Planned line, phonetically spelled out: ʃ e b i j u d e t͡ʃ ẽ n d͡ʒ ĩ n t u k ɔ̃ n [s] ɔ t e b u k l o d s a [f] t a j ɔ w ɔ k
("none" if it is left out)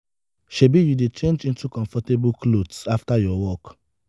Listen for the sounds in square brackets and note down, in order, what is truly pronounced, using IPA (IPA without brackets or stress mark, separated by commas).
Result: f, f